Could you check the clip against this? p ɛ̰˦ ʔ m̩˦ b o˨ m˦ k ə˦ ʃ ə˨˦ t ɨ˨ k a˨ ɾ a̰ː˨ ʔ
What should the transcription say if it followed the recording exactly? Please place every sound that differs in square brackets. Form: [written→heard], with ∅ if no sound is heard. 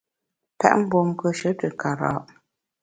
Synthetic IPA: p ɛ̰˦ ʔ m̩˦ b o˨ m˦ k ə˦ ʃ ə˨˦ t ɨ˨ k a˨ ɾ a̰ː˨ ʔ